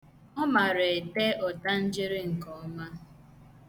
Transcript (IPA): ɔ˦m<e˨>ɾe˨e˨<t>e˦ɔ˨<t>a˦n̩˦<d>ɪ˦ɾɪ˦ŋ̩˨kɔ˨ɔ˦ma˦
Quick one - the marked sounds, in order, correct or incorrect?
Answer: incorrect, correct, correct, incorrect

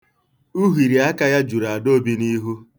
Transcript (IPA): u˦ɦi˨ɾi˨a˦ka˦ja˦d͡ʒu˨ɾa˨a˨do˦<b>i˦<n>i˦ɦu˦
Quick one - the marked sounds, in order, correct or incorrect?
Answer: correct, correct

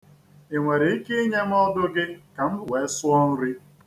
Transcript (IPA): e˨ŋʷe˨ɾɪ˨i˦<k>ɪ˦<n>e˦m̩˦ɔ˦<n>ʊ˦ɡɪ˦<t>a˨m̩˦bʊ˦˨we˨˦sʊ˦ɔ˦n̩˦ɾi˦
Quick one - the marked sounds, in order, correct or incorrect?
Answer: correct, incorrect, incorrect, incorrect

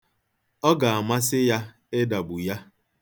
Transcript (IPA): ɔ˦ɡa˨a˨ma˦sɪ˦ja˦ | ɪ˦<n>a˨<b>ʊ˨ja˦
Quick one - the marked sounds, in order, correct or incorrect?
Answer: incorrect, correct

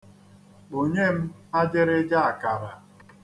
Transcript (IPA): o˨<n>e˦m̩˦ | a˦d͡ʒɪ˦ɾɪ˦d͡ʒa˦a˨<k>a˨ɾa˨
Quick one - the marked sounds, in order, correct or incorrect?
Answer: incorrect, correct

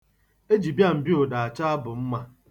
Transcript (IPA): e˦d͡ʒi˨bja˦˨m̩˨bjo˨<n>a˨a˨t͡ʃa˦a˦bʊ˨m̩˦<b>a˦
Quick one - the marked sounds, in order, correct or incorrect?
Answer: incorrect, incorrect

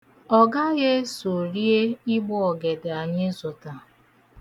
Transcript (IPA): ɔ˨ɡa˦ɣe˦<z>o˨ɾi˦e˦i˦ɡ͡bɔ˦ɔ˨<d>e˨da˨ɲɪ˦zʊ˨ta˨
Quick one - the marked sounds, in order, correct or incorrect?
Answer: incorrect, incorrect

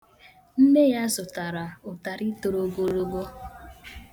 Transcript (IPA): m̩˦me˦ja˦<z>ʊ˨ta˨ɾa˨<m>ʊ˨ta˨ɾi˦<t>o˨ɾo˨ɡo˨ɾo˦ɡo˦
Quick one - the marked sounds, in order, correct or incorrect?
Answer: correct, incorrect, correct

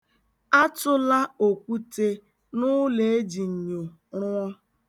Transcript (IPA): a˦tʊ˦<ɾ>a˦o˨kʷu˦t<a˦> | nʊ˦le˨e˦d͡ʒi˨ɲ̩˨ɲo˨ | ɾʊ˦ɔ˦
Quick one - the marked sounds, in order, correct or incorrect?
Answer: incorrect, incorrect

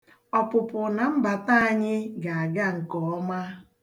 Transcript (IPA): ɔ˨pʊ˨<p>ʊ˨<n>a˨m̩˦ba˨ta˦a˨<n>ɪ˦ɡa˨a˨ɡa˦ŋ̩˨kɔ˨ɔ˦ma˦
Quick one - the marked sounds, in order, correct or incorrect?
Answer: correct, correct, incorrect

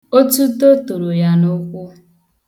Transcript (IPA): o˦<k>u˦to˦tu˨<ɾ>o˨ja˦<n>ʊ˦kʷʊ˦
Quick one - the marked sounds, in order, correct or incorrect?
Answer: incorrect, correct, correct

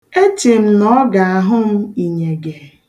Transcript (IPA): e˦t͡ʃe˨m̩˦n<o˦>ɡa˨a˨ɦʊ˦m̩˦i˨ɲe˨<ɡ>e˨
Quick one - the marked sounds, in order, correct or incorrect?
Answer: incorrect, correct

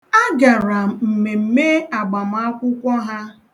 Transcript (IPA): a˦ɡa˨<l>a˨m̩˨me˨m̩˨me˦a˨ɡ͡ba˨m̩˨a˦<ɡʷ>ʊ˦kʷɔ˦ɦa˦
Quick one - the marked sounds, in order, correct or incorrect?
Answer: incorrect, incorrect

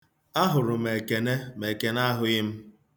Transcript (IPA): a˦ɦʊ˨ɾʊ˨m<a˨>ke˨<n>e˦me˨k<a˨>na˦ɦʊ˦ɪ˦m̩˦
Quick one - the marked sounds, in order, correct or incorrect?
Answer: incorrect, correct, incorrect

